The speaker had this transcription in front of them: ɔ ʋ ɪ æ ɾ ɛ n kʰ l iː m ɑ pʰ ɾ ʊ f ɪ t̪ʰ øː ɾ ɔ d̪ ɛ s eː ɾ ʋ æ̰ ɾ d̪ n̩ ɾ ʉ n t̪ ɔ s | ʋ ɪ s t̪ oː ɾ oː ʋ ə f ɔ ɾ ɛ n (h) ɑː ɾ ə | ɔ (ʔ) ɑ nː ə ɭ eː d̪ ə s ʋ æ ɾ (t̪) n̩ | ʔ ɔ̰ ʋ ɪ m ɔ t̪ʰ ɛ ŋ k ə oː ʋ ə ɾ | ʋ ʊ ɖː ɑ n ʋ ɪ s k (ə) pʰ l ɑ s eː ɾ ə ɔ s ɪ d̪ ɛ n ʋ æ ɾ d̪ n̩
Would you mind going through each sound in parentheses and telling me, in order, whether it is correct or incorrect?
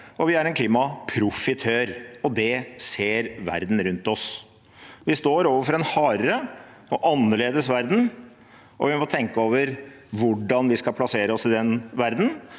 correct, correct, incorrect: d̪, incorrect: ɑ

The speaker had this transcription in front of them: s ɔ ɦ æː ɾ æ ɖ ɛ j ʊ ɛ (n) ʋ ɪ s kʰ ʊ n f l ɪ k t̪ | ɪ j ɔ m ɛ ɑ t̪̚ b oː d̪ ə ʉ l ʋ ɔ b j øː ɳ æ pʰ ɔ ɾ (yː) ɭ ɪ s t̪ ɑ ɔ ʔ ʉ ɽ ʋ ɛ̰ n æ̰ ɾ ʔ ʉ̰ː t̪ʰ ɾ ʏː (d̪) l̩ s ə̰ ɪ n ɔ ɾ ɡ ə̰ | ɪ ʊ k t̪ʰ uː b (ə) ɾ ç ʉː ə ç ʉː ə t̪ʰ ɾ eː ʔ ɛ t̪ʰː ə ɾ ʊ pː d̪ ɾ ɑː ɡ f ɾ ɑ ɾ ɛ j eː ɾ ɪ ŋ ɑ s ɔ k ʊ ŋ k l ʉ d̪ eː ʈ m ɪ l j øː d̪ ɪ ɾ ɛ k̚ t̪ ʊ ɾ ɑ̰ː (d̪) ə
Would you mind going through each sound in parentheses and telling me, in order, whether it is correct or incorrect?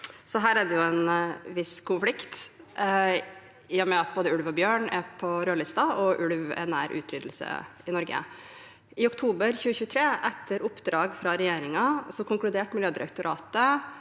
correct, incorrect: øː, correct, correct, incorrect: t̪

